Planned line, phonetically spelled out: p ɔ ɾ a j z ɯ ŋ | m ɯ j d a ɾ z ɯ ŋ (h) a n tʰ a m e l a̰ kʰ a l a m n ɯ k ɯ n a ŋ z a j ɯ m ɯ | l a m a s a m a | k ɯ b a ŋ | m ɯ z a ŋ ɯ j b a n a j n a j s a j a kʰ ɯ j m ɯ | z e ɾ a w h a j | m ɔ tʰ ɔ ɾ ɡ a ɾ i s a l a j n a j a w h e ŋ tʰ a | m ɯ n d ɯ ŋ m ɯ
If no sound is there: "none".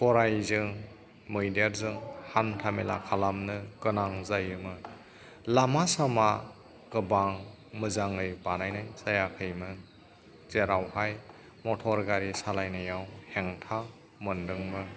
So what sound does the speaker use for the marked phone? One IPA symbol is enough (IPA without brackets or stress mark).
h